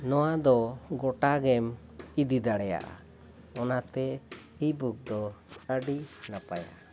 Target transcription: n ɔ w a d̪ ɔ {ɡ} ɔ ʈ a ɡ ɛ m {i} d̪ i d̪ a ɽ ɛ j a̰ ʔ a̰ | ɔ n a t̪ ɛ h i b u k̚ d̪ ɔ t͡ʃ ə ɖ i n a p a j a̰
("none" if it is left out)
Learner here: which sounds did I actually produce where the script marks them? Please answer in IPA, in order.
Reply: ɡ, i

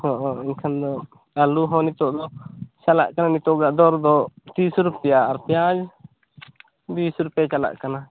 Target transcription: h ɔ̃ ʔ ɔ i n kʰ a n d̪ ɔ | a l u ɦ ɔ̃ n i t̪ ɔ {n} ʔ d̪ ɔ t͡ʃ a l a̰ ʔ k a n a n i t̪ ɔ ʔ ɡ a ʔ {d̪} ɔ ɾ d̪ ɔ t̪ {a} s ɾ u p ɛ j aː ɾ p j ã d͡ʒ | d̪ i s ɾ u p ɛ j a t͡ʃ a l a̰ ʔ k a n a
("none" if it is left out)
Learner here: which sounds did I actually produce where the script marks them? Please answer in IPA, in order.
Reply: none, d̪, i

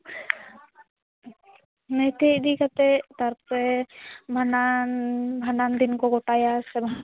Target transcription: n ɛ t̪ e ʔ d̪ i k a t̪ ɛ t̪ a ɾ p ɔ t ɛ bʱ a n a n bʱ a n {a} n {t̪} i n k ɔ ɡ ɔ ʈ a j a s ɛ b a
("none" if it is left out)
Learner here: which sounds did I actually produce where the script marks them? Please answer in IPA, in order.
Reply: a, d̪

